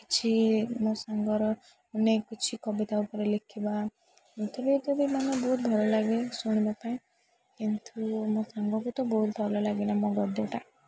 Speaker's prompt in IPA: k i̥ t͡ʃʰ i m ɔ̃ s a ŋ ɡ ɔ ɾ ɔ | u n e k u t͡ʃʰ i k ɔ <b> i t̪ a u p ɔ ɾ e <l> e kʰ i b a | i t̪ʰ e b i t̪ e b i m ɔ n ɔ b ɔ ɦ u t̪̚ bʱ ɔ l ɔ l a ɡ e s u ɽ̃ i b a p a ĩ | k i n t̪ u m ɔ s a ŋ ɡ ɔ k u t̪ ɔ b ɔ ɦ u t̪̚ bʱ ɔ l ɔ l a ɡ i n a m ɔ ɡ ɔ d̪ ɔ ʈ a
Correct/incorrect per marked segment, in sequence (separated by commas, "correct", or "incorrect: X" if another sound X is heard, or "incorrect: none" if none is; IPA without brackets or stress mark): correct, correct